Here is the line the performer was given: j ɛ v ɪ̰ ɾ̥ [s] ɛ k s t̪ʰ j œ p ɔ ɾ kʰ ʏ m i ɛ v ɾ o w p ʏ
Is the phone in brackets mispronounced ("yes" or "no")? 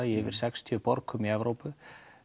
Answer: no